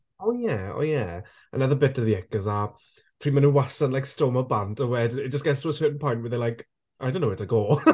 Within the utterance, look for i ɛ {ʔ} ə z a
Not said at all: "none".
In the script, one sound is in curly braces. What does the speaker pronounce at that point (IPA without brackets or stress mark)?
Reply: k